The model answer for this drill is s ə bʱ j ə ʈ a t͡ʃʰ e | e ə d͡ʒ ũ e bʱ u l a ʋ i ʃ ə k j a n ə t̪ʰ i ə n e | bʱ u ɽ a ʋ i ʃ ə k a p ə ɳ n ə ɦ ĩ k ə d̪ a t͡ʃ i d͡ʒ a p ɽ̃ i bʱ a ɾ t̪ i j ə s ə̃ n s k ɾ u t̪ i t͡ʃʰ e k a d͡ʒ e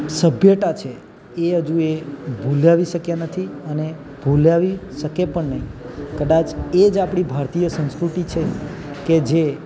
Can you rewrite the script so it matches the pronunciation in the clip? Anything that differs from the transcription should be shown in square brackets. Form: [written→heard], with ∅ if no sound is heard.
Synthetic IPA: s ə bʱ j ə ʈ a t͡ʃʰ e | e ə d͡ʒ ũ e bʱ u l a ʋ i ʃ ə k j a n ə t̪ʰ i ə n e | bʱ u [ɽ→l] a ʋ i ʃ ə k [a→e] p ə ɳ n ə ɦ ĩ k ə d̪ a t͡ʃ [i→e] d͡ʒ a p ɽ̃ i bʱ a ɾ t̪ i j ə s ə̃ n s k ɾ u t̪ i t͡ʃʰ e k [a→e] d͡ʒ e

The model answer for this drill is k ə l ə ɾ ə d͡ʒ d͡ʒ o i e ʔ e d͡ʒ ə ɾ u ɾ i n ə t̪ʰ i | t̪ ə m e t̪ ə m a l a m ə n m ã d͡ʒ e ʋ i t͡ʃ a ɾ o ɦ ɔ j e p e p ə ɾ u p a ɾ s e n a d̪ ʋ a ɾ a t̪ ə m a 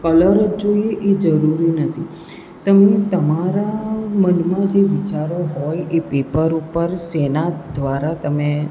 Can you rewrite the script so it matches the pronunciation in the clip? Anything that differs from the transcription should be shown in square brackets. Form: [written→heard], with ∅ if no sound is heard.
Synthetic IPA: k ə l ə ɾ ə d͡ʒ d͡ʒ o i e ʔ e d͡ʒ ə ɾ u ɾ i n ə t̪ʰ i | t̪ ə m e t̪ ə m a [l→ɾ] a m ə n m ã d͡ʒ e ʋ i t͡ʃ a ɾ o ɦ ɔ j e p e p ə ɾ u p [a→ə] ɾ s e n a d̪ ʋ a ɾ a t̪ ə m [a→e]

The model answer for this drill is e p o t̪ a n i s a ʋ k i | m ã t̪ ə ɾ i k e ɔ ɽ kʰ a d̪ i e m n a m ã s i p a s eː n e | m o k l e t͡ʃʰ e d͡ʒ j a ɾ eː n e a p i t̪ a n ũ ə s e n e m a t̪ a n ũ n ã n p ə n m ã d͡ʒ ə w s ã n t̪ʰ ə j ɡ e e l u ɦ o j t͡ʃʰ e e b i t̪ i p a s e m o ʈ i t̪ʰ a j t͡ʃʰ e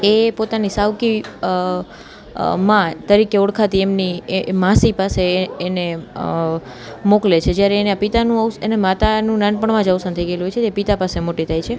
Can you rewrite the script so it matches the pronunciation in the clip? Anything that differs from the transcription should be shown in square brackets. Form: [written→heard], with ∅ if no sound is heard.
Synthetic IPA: e p o t̪ a n i s a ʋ k i | m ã t̪ ə ɾ i k e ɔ ɽ kʰ a [d̪→t̪] i e m n [a→i] m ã s i p a s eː n e | m o k l e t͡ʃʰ e d͡ʒ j a ɾ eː n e a p i t̪ a n ũ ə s e n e m a t̪ a n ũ n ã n p ə [n→ɳ] m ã d͡ʒ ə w s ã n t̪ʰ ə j ɡ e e l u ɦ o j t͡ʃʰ e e [b→p] i t̪ [i→a] p a s e m o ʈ i t̪ʰ a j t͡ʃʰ e

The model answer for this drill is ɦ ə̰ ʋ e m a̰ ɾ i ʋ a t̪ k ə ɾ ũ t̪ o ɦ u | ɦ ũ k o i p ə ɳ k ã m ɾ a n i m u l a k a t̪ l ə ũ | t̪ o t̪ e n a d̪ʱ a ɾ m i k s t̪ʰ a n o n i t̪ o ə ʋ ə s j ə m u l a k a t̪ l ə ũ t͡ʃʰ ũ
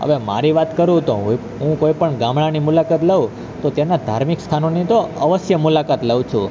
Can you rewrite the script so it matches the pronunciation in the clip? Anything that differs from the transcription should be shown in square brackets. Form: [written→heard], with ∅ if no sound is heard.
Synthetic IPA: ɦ ə̰ ʋ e m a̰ ɾ i ʋ a t̪ k ə ɾ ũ t̪ o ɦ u | ɦ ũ k o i p ə ɳ [k→ɡ] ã m [ɾ→ɭ] a n i m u l a k a t̪ l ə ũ | t̪ o t̪ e n a d̪ʱ a ɾ m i k s t̪ʰ a n o n i t̪ o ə ʋ ə s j ə m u l a k a t̪ l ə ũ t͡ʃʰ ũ

